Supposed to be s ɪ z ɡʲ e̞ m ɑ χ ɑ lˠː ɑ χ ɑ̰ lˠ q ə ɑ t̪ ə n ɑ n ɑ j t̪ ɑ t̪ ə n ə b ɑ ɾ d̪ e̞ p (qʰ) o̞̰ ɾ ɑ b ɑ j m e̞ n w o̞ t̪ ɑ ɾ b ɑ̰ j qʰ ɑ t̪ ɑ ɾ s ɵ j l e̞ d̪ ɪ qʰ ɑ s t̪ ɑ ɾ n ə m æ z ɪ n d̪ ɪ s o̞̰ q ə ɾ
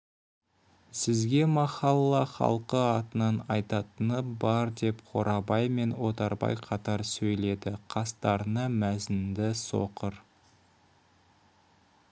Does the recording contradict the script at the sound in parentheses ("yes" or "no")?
no